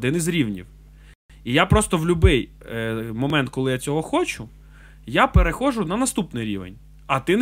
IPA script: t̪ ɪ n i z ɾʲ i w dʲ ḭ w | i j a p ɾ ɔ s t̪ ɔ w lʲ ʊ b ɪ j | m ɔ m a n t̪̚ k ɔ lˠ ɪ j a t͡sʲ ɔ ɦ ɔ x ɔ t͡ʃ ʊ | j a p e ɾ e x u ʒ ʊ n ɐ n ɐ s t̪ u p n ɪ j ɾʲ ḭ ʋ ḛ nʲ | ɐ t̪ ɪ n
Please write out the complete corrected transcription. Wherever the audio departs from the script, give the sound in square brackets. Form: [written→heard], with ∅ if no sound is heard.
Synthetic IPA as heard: [t̪→d̪] ɪ n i z ɾʲ i w [dʲ→nʲ] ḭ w | i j a p ɾ ɔ s t̪ ɔ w lʲ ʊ b ɪ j | m ɔ m [a→ɛ] n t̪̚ k ɔ lˠ ɪ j a t͡sʲ ɔ ɦ ɔ x ɔ t͡ʃ ʊ | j a p e ɾ e x [u→ɔ] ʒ ʊ n ɐ n ɐ s t̪ u p n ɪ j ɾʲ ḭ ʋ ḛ nʲ | ɐ t̪ ɪ n